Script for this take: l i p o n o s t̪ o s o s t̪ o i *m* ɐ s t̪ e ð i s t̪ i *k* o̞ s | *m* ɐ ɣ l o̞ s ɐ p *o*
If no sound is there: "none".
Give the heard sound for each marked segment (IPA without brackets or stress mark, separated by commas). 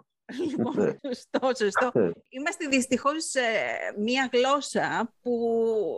m, x, m, u